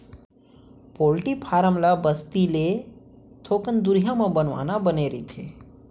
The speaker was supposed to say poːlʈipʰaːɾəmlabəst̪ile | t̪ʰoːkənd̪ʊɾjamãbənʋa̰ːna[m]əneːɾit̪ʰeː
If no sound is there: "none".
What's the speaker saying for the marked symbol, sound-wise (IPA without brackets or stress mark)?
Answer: b